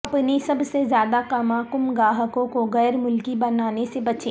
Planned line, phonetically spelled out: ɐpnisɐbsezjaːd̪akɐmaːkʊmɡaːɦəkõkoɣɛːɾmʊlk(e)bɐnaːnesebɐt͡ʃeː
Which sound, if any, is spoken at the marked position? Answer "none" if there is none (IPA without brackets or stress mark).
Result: i